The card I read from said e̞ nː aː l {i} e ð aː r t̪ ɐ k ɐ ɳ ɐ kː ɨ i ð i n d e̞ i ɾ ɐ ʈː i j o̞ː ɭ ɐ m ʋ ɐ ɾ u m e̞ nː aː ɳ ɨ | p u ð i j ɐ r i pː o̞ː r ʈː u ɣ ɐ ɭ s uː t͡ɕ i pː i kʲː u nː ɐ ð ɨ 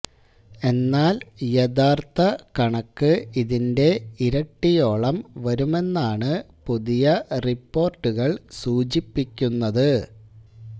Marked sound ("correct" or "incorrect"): incorrect